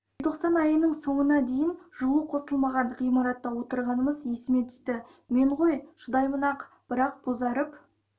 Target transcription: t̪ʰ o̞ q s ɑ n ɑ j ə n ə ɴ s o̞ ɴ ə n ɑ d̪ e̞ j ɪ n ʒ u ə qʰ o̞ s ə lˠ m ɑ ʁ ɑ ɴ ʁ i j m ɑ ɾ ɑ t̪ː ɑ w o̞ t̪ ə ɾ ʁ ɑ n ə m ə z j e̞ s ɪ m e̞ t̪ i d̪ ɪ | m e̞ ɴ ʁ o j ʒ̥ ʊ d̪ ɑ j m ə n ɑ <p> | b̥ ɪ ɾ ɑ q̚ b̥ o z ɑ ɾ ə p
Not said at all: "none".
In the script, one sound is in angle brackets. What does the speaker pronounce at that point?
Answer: q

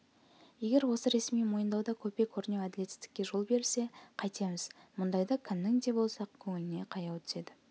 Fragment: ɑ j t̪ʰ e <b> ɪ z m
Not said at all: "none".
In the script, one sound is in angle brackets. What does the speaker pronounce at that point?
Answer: m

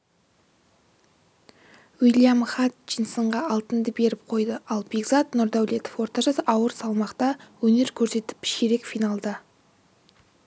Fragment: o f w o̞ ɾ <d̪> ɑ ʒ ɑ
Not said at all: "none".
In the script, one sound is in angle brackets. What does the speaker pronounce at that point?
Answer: t̪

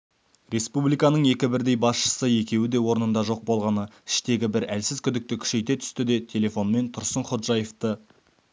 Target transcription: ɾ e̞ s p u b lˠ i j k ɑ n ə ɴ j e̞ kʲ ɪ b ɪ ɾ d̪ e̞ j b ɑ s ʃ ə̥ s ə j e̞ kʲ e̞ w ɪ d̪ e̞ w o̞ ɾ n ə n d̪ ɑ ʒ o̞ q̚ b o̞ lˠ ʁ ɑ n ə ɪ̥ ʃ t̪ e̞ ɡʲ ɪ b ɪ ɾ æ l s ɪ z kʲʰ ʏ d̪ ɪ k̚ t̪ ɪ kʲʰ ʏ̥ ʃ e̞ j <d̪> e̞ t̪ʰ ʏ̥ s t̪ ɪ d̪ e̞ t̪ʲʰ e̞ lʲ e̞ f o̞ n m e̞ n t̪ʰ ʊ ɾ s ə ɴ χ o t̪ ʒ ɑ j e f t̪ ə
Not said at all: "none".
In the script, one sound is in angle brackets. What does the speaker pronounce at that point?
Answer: t̪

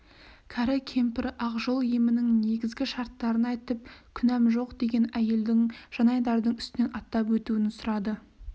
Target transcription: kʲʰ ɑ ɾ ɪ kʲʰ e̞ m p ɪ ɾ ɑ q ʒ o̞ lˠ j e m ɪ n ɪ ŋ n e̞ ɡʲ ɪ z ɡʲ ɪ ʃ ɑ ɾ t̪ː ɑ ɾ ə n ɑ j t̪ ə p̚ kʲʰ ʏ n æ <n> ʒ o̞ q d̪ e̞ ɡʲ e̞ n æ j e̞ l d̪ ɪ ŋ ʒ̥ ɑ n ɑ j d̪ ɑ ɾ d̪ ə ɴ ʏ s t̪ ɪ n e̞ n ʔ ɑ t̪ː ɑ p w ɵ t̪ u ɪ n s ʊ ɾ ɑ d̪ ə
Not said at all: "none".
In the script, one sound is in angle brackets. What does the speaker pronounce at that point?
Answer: m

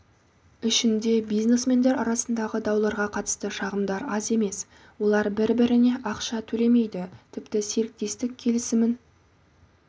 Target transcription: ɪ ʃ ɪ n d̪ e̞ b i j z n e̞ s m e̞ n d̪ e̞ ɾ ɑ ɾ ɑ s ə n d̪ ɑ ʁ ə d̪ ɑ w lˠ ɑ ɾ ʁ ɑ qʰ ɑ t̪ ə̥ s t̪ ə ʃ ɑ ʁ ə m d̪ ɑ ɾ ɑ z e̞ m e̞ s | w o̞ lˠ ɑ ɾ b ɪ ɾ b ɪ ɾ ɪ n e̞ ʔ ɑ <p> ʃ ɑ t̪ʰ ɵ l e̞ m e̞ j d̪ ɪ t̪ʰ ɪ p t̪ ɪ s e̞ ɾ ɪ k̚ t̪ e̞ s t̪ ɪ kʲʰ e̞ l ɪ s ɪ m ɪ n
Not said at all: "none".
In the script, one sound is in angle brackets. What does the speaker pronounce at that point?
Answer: q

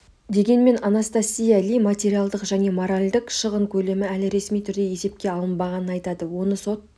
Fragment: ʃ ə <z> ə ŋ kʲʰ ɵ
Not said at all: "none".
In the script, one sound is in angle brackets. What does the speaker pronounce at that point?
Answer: ʁ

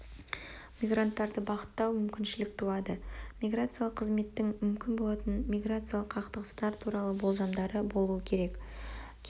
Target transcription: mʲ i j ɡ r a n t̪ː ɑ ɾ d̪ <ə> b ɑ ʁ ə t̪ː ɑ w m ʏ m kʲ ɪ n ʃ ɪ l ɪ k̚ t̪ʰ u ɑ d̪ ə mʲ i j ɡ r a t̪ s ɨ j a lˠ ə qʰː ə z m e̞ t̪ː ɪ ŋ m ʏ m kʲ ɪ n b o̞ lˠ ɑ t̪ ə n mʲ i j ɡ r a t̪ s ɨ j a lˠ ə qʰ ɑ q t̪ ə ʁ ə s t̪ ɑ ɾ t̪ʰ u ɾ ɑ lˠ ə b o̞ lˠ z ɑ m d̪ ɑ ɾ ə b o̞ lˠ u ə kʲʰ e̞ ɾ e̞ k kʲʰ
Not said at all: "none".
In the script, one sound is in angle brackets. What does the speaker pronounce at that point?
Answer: ə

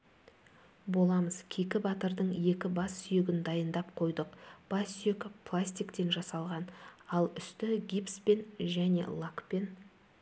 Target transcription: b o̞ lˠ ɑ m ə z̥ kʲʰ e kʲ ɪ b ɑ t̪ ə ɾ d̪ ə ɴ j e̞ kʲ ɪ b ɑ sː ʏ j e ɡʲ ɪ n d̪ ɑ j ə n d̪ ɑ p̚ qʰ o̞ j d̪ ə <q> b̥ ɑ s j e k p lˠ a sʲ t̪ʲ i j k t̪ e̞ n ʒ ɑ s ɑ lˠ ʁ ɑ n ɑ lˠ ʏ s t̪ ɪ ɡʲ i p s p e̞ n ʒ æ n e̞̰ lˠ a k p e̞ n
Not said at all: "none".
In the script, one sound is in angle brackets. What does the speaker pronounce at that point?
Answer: q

